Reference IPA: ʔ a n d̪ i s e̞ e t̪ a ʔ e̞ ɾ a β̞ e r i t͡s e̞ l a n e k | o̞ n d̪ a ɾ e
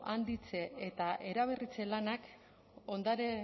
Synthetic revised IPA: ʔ a n d̪ i t͡s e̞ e t̪ a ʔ e̞ ɾ a β̞ e r i t͡s e̞ l a n a k | o̞ n d̪ a ɾ e

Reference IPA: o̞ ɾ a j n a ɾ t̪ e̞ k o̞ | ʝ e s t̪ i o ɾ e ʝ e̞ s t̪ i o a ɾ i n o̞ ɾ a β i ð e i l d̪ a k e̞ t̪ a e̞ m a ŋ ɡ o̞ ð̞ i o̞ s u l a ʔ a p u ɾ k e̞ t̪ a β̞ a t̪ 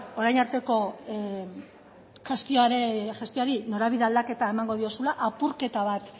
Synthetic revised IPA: o̞ ɾ a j n a ɾ t̪ e̞ k o̞ | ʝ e s t̪ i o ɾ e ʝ e̞ s t̪ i o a ɾ i n o̞ ɾ a β i ð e a l d̪ a k e̞ t̪ a e̞ m a ŋ ɡ o̞ ð̞ i o̞ s u l a ʔ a p u ɾ k e̞ t̪ a β̞ a t̪

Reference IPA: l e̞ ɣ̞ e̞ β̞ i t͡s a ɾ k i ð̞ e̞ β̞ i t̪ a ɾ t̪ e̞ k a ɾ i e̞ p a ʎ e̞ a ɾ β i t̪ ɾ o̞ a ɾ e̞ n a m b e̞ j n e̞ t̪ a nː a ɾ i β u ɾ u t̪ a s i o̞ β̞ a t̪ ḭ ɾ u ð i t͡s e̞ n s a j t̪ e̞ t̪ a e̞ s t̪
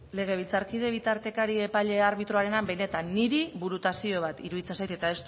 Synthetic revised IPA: l e̞ ɣ̞ e̞ β̞ i t͡s a ɾ k i ð̞ e̞ β̞ i t̪ a ɾ t̪ e̞ k a ɾ i e̞ p a ʎ e̞ a ɾ β i t̪ ɾ o̞ a ɾ e̞ n a m b e̞ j n e̞ t̪ a nː i ɾ i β u ɾ u t̪ a s i o̞ β̞ a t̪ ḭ ɾ u ð i t͡s e̞ n s a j t̪ e̞ t̪ a e̞ s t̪

